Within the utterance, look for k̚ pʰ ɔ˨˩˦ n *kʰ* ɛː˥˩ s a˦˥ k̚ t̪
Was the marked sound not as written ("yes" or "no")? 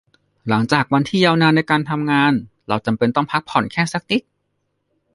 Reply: no